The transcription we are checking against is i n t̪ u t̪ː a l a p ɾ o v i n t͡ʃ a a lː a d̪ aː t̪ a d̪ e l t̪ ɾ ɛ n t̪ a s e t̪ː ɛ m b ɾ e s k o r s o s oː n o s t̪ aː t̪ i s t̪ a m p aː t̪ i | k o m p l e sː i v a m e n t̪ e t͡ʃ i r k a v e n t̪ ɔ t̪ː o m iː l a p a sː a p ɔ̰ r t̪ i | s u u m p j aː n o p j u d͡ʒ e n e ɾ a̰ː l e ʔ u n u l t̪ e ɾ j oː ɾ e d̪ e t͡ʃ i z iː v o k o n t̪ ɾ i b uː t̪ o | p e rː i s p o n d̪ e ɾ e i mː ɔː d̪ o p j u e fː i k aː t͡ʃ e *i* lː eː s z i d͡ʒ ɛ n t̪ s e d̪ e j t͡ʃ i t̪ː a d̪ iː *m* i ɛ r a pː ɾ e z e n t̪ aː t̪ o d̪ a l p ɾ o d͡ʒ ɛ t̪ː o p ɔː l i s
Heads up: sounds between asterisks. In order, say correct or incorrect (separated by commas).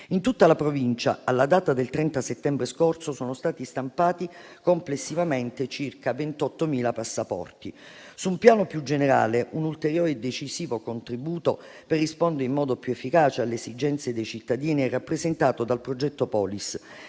incorrect, incorrect